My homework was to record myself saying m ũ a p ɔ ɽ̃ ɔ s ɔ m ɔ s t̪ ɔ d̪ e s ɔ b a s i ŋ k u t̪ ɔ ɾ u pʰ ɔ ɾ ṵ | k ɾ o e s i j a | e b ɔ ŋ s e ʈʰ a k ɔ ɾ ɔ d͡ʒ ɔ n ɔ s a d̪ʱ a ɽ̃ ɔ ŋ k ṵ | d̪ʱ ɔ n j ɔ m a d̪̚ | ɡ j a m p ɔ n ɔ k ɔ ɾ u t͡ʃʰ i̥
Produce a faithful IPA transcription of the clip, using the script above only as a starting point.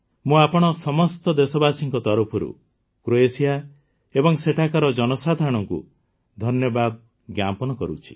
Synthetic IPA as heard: m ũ a p ɔ ɽ̃ ɔ s ɔ m ɔ s t̪ ɔ d̪ e s ɔ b a s i ŋ k ɔ t̪ ɔ ɾ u pʰ ɔ ɾ ṵ | k ɾ o e s i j a | e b ɔ ŋ s e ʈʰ a k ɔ ɾ ɔ d͡ʒ ɔ n ɔ s a d̪ʱ a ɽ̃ ɔ ŋ k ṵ | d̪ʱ ɔ n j ɔ b a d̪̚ | ɡ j a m p ɔ n ɔ k ɔ ɾ u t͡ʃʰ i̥